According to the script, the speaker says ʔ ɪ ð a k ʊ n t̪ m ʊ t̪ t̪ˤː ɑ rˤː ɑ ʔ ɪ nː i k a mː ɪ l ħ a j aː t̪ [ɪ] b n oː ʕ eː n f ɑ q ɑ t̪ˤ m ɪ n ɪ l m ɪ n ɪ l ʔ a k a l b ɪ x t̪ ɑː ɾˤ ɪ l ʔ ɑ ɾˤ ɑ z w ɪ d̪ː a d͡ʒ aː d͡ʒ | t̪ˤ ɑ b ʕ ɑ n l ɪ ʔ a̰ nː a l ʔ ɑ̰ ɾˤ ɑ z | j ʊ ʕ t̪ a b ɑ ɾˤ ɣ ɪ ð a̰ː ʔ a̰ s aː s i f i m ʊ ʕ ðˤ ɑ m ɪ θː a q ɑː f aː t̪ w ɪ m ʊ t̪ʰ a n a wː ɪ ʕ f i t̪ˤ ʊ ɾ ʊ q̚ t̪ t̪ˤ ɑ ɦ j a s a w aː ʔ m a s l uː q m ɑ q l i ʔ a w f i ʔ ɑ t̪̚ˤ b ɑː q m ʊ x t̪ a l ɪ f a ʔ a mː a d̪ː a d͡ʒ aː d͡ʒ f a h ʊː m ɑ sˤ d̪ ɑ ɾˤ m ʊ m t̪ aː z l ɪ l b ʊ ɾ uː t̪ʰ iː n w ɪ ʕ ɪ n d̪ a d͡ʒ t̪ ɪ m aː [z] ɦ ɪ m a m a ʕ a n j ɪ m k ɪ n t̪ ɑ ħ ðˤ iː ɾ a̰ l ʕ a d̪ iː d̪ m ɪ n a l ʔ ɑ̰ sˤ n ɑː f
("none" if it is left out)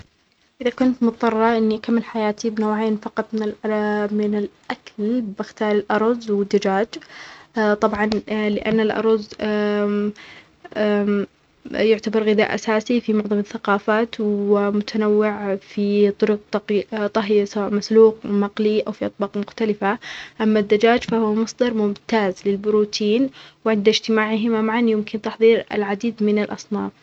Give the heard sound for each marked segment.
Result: i, ʕ

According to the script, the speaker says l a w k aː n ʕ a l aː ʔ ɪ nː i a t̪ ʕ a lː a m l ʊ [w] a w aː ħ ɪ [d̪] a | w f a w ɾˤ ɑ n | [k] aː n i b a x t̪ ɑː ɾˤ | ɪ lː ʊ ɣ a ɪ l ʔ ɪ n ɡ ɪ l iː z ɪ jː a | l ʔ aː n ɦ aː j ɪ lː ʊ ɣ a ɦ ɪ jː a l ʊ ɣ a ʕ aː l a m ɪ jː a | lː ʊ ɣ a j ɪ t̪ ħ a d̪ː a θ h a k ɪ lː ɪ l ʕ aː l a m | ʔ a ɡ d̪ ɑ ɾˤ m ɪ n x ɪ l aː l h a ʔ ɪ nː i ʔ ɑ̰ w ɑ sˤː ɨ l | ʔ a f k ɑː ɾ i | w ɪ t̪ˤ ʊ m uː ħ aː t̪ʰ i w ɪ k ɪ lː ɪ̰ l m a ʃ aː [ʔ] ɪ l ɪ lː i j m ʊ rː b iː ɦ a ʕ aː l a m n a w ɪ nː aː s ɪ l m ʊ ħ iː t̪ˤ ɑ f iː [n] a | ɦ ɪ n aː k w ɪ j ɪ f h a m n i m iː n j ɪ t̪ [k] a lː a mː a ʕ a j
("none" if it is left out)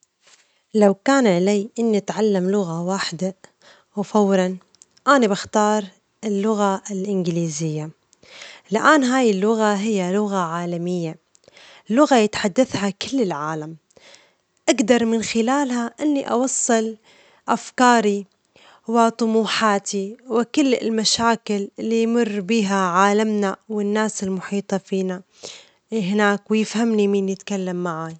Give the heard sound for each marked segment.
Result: ɣ, d̪, ʔ, k, n, k

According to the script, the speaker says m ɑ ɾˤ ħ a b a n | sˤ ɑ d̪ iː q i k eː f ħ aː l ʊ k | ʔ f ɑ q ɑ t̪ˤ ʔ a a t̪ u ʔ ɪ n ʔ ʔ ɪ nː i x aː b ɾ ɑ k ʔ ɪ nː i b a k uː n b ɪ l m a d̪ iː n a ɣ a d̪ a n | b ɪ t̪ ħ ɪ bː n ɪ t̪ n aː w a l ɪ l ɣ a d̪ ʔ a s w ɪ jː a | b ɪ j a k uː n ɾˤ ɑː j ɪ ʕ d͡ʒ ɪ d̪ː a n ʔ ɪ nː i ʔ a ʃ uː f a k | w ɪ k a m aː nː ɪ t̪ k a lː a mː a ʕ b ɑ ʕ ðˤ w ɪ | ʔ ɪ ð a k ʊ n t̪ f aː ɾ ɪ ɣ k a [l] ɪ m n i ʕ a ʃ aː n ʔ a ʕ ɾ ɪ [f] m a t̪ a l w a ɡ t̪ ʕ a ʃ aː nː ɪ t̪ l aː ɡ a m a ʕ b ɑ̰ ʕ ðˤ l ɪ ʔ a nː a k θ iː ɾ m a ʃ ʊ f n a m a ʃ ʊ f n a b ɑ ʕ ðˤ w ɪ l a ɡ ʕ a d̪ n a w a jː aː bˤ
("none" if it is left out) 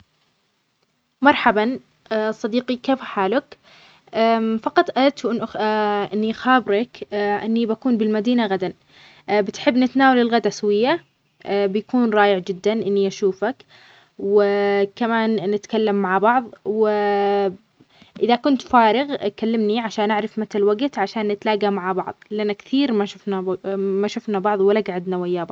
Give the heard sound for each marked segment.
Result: lː, f

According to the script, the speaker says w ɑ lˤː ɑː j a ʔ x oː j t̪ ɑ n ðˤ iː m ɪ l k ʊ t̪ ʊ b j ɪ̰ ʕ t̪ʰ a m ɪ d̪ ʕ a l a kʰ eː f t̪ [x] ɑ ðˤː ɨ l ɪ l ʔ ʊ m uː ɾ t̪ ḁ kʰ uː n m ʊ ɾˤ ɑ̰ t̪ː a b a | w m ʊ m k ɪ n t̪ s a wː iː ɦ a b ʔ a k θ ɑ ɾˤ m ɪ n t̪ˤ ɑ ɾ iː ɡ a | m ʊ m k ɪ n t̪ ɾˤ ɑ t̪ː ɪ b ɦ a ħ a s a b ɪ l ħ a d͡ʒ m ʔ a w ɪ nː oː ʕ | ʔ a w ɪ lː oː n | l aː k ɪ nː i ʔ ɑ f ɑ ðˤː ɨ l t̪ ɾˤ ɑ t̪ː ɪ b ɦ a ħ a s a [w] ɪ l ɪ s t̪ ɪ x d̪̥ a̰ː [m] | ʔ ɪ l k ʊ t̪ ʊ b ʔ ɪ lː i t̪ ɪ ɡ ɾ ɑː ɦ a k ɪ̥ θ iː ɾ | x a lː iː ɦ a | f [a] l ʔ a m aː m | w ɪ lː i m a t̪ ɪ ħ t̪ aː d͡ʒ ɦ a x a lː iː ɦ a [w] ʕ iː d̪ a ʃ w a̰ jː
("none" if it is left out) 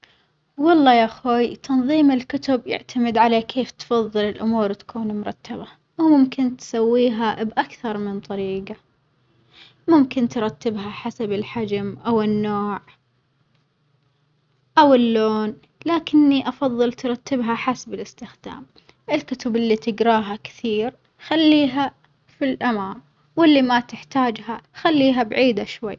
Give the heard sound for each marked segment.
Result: f, b, m, i, b

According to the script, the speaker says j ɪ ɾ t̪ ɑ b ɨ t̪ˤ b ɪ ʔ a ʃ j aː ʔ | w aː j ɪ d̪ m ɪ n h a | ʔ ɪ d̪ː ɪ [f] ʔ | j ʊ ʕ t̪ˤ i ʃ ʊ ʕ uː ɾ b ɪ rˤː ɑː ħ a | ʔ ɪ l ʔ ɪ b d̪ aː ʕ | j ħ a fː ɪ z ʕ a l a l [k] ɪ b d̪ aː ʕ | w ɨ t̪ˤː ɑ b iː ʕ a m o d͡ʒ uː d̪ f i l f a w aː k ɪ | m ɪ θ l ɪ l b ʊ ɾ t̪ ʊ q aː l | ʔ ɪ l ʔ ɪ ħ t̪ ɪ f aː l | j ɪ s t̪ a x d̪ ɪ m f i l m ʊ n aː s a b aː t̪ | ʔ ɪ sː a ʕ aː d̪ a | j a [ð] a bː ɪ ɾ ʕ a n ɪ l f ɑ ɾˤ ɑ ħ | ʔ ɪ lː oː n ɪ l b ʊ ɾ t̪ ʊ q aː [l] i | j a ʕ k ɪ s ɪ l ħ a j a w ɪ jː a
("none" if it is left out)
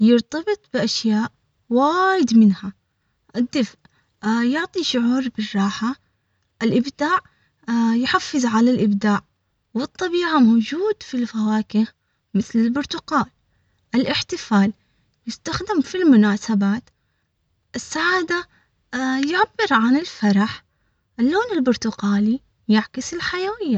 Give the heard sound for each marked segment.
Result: f, ʔ, ʕ, l

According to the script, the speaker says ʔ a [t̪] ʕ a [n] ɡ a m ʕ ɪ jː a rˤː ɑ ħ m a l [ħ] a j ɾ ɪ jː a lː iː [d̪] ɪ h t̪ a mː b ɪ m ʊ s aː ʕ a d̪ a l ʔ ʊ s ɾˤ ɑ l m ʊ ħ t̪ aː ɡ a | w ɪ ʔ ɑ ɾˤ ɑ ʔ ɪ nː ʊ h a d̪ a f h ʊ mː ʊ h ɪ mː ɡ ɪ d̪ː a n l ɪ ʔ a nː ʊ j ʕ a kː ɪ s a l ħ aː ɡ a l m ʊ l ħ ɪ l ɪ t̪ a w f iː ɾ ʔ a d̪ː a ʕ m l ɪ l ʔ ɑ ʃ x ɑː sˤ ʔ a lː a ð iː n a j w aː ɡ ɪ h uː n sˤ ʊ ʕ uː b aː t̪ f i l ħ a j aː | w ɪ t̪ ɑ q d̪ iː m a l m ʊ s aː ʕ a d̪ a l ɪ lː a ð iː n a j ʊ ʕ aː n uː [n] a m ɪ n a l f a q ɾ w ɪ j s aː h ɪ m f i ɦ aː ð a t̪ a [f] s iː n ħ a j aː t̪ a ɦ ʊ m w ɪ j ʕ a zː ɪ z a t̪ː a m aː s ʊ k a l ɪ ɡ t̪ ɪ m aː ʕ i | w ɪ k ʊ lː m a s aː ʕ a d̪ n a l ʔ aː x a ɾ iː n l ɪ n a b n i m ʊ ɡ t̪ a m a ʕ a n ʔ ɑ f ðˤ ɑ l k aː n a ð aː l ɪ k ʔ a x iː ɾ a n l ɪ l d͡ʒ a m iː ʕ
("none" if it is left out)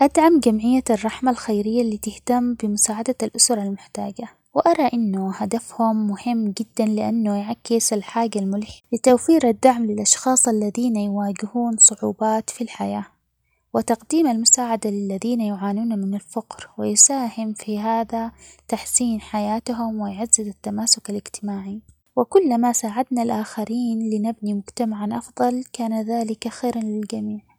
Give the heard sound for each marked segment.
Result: d̪, m, x, t̪, n, ħ

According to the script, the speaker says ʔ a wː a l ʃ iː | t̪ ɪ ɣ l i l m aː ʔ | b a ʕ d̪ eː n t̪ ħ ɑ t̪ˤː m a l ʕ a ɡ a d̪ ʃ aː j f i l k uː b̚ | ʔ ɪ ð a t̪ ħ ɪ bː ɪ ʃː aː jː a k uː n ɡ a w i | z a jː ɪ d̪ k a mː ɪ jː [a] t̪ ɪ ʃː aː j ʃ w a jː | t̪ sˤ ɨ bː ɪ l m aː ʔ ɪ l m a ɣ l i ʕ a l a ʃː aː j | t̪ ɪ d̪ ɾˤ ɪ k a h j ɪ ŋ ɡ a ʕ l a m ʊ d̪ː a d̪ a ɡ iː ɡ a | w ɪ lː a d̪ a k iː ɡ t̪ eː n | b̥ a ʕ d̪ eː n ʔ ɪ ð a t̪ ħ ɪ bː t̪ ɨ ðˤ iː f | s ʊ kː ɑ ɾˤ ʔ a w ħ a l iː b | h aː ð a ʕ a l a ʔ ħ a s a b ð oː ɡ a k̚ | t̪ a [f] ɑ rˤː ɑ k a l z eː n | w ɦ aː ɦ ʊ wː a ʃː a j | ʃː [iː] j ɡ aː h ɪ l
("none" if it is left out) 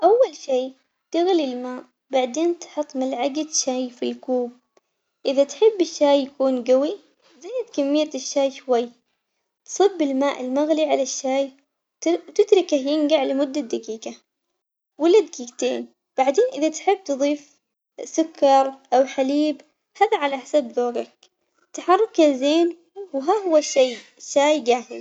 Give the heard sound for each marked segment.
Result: a, ħ, aː

